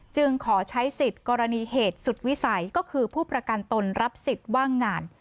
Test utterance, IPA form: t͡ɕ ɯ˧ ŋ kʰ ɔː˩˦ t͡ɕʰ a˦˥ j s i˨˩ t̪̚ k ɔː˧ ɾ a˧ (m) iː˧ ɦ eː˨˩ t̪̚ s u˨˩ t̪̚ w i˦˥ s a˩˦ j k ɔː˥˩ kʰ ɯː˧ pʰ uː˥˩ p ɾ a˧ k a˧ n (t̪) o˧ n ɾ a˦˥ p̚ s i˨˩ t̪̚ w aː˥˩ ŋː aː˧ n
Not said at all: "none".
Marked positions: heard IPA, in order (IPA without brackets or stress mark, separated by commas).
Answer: n, t̪